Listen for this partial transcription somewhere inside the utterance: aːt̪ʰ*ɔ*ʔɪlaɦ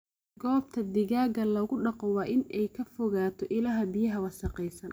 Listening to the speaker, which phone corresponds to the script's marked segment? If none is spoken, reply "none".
ɔ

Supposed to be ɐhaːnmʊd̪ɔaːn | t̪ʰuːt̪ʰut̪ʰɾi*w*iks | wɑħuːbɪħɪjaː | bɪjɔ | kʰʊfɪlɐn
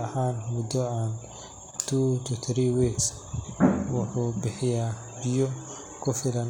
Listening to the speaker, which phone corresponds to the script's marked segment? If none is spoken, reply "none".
w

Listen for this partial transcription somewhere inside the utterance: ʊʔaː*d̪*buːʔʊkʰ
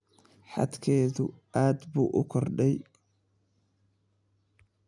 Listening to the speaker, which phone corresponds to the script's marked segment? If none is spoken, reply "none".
d̪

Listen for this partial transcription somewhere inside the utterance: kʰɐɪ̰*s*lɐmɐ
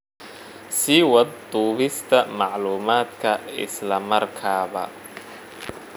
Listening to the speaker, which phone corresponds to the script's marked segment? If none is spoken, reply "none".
s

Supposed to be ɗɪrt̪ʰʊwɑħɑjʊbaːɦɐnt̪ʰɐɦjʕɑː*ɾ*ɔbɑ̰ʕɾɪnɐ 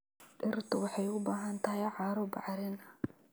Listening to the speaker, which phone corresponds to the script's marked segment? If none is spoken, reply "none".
ɾ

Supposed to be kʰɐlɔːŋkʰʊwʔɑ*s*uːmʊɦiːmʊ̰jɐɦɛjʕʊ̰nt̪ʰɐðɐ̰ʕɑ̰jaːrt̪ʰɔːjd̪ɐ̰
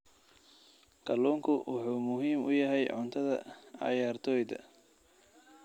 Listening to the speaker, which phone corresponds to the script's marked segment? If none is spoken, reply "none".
ħ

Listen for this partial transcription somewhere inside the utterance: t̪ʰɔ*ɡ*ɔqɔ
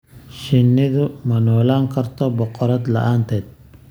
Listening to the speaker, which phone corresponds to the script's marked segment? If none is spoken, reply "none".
b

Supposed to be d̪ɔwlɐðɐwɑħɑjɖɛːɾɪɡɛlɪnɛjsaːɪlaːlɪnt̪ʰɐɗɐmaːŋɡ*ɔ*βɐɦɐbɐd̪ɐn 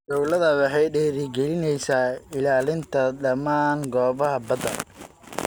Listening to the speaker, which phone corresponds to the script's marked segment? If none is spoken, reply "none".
ɔː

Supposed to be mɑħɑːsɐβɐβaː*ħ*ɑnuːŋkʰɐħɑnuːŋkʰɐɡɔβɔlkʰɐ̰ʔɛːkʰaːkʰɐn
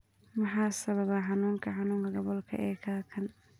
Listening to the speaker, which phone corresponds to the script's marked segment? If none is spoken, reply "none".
ħ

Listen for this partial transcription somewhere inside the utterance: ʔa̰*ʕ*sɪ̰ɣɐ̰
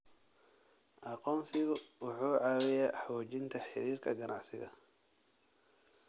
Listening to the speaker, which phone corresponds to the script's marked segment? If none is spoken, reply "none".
ʕ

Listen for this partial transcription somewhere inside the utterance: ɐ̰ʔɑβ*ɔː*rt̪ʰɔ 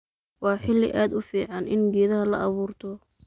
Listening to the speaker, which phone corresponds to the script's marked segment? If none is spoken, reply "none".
uː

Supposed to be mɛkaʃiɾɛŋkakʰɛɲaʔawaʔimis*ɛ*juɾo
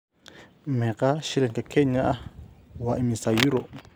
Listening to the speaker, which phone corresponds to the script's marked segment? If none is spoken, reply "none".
a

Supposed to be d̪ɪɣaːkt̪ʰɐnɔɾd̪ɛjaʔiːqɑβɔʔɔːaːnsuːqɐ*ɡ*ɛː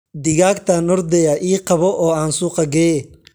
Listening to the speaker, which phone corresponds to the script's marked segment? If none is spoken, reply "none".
ɡ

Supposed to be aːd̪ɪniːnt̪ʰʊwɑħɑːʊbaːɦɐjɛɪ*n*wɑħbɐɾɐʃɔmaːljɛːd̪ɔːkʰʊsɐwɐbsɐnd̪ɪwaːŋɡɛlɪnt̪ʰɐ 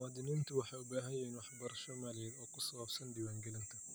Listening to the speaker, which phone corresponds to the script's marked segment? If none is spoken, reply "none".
n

